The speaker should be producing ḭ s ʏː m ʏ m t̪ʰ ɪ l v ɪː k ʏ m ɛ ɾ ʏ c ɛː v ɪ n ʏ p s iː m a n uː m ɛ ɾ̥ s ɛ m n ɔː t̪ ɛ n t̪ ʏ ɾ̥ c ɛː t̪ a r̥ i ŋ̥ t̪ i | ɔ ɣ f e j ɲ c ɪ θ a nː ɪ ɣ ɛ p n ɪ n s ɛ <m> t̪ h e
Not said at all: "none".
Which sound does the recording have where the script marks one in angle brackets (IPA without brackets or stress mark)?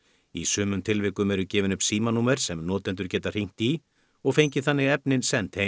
n